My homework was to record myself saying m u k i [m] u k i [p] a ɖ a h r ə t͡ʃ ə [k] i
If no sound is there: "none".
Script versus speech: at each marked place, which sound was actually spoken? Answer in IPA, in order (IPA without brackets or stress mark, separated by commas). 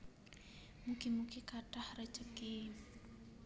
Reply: m, k, k